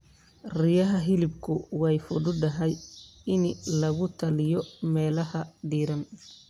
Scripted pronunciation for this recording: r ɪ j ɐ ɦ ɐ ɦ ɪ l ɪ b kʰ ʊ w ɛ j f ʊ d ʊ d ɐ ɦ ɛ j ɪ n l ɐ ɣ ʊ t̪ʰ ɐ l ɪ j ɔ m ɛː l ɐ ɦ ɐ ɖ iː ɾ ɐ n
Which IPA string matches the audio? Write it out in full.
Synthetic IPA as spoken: r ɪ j ɐ ɦ ɐ ɦ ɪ l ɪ b kʰ ʊ w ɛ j f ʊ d ʊ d ɐ ɦ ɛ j ɪ n l ɐ ɣ ʊ t̪ʰ ɐ l ɪ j ɔ m ɛː l ɐ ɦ ɐ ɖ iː ɾ ɐ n

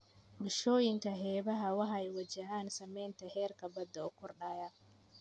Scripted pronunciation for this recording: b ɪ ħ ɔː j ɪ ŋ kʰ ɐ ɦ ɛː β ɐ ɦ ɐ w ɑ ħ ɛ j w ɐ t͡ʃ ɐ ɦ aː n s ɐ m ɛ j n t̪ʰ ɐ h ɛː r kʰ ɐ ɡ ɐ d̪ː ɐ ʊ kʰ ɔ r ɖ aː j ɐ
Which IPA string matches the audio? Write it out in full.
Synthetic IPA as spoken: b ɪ ʃ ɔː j ɪ ŋ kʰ ɐ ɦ ɛː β ɐ ɦ ɐ w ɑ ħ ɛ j w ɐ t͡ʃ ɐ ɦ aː n s ɐ m ɛ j n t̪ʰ ɐ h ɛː r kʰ ɐ b ɐ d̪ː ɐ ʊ kʰ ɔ r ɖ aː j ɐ

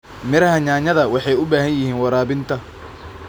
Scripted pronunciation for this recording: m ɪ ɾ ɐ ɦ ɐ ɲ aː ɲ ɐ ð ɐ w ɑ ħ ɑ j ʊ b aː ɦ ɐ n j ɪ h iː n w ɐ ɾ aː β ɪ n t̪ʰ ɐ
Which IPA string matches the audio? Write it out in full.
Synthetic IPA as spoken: m ɪ ɾ ɐ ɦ ɐ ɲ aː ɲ ɐ ð ɐ w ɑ ħ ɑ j ʊ b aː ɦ ɐ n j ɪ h iː n w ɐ ɾ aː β ɪ n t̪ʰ ɐ

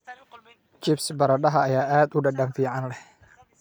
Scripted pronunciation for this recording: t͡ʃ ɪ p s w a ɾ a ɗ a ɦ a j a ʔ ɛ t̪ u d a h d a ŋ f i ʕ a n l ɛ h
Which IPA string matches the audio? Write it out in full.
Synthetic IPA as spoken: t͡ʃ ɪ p s b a ɾ a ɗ a ɦ a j a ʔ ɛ t̪ u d a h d a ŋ f i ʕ a n l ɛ h

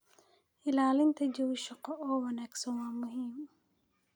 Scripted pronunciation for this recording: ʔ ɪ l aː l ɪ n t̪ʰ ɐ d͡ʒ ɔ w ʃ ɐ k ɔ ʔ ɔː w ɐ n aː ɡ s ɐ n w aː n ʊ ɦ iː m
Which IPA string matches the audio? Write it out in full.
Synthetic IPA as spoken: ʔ ɪ l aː l ɪ n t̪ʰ ɐ d͡ʒ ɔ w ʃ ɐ q ɔ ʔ ɔː w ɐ n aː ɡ s ɐ n w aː m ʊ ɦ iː m

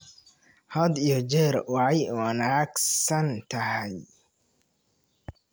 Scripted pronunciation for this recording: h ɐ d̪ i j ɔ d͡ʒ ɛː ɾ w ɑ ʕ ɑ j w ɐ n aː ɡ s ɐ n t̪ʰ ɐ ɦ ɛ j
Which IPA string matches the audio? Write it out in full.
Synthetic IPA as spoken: h ɐ d̪ i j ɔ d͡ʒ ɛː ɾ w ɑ ʕ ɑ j w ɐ n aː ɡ s ɐ n t̪ʰ ɐ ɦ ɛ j

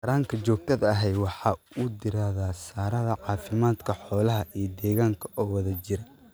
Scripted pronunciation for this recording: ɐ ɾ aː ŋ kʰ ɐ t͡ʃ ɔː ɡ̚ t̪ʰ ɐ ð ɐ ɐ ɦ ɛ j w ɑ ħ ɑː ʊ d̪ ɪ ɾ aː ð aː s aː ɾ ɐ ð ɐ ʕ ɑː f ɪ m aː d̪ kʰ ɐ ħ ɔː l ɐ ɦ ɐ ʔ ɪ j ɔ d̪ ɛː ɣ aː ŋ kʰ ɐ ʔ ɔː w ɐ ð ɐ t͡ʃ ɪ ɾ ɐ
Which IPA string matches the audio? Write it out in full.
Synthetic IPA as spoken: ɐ ɾ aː ŋ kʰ ɐ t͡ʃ ɔː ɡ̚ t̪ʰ ɐ ð ɐ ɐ ɦ ɛ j w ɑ ħ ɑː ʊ d̪ ɪ ɾ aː ð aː s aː ɾ ɐ ð ɐ ʕ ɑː f ɪ m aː d̪ kʰ ɐ ħ ɔː l ɐ ɦ ɐ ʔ i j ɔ d̪ ɛː ɣ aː ŋ kʰ ɐ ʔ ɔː w ɐ ð ɐ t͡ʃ ɪ ɾ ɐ

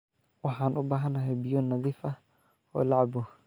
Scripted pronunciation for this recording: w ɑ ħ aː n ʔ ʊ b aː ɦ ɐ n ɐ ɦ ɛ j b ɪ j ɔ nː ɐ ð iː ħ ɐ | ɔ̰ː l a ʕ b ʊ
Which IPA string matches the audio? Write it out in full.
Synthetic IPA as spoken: w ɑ ħ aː n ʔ ʊ b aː ɦ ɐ n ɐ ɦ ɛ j b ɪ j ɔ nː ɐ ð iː f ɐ | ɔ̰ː l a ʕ b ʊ

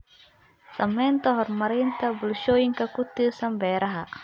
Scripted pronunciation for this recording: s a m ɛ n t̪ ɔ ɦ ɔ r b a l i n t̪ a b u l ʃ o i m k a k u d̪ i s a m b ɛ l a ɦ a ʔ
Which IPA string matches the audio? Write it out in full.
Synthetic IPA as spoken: s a m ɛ n t̪ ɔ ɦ ɔ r m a ɾ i n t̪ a b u l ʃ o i ŋ k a k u t̪ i s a m b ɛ ɾ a ɦ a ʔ

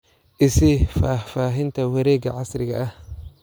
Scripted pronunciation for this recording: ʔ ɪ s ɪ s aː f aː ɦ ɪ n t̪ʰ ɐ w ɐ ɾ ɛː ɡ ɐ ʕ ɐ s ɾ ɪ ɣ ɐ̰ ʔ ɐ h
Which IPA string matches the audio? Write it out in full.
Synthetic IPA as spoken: ʔ ɪ s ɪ f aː f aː ɦ ɪ n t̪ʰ ɐ w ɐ ɾ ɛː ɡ ɐ ʕ ɑ s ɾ ɪ ɣ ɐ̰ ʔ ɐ h

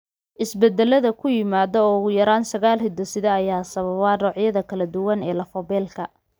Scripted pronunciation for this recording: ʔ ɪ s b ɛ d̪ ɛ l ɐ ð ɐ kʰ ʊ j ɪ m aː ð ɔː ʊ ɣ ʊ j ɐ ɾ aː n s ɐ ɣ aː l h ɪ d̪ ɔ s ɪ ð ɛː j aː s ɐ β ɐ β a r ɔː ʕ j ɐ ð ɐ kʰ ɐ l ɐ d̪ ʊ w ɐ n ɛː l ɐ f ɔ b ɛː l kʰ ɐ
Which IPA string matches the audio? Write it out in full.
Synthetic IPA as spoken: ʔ ɪ s b ɛ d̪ ɛ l ɐ ð ɐ kʰ ʊ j ɪ m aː ð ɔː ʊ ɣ ʊ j ɐ ɾ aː n s ɐ ɣ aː l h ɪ d̪ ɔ s ɪ ð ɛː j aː s ɐ β ɐ β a r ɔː ʕ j ɐ ð ɐ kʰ ɐ l ɐ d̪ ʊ w ɐ n ɛː l ɐ f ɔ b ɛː l kʰ ɐ

